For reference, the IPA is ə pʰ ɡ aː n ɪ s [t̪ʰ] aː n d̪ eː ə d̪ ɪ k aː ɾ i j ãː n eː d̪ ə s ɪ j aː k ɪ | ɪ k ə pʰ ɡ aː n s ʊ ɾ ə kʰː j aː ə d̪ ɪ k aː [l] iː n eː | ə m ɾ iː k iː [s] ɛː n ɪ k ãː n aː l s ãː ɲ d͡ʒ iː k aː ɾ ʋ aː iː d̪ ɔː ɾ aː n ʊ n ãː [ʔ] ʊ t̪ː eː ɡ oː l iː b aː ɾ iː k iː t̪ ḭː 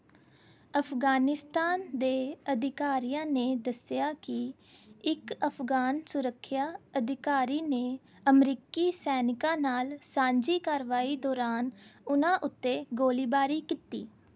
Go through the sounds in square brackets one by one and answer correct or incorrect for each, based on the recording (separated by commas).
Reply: incorrect, incorrect, correct, correct